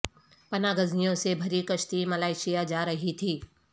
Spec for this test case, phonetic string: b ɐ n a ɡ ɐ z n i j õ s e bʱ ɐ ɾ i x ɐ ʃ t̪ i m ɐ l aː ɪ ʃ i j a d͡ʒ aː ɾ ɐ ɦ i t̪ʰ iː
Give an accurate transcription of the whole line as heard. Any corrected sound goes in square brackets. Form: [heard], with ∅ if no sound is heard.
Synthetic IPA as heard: [p] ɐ n a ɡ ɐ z n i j õ s e bʱ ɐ ɾ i [k] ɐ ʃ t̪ i m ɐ l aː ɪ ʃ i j a d͡ʒ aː ɾ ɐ ɦ i t̪ʰ iː

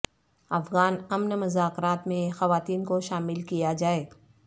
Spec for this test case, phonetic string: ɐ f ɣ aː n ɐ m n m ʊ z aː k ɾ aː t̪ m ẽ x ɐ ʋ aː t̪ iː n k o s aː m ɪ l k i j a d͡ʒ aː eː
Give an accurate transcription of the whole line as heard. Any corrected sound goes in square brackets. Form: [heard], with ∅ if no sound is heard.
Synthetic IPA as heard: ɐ f ɣ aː n ɐ m n m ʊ z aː k ɾ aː t̪ m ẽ x ɐ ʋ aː t̪ iː n k o [ʃ] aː m ɪ l k i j a d͡ʒ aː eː

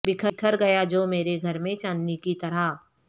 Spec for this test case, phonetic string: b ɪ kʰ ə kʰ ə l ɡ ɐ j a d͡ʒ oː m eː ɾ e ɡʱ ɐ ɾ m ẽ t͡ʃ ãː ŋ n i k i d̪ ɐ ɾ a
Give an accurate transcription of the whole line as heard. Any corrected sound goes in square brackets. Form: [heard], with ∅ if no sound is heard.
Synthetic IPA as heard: b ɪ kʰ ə kʰ ə [ɾ] ɡ ɐ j a d͡ʒ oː m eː ɾ e ɡʱ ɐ ɾ m ẽ t͡ʃ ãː [n] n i k i [t̪] ɐ ɾ a

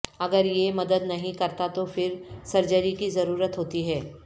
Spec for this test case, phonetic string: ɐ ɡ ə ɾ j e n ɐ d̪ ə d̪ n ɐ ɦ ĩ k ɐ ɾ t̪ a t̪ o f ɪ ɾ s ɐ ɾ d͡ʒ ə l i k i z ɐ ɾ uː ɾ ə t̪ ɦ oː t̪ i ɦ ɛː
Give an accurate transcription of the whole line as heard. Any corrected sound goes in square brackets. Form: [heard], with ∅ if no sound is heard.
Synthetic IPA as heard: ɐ ɡ ə ɾ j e [m] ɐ d̪ ə d̪ n ɐ ɦ ĩ k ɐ ɾ t̪ a t̪ o f ɪ ɾ s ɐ ɾ d͡ʒ ə [ɾ] i k i z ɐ ɾ uː ɾ ə t̪ ɦ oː t̪ i ɦ ɛː

